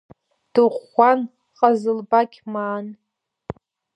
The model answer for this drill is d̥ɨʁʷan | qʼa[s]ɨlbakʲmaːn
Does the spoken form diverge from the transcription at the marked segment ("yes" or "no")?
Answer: yes